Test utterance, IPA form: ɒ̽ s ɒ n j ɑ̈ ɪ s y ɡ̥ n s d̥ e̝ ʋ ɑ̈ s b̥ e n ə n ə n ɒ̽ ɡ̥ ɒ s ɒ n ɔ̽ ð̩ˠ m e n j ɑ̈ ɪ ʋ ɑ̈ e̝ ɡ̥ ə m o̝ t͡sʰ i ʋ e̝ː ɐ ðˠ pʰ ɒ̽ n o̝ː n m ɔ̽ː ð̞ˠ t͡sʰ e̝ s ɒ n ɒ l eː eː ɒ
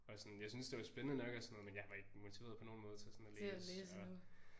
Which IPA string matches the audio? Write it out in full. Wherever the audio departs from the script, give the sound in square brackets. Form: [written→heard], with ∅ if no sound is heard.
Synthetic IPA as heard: ɒ̽ s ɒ n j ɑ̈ ɪ s y [ɡ̥→∅] n s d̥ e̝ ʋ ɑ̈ s b̥ e n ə n ə n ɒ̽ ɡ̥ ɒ s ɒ n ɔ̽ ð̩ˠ m e n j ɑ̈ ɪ ʋ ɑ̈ e̝ ɡ̥ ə m o̝ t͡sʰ i ʋ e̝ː ɐ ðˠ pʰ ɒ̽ n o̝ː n m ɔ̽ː ð̞ˠ t͡sʰ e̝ s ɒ n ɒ l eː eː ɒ